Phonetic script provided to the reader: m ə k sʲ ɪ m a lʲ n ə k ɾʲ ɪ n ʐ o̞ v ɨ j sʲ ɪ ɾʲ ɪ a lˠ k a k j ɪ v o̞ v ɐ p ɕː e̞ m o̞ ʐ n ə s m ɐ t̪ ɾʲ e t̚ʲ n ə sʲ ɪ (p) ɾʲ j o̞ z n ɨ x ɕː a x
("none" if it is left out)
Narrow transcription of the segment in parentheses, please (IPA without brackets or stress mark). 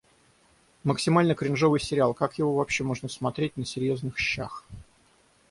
none